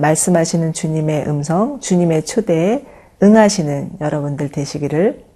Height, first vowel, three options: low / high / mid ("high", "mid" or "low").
low